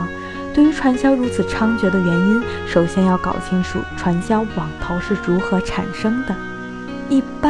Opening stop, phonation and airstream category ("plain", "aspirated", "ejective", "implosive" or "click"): plain